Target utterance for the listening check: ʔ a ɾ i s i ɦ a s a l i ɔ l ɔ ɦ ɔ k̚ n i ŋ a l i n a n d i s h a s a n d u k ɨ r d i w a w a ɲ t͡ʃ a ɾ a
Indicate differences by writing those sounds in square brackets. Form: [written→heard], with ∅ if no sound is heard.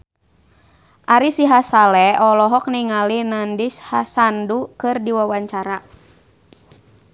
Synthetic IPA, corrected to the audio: ʔ a ɾ i s i ɦ a s a l [i→ɛ] ɔ l ɔ ɦ ɔ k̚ n i ŋ a l i n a n d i s h a s a n d u k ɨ r d i w a w a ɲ t͡ʃ a ɾ a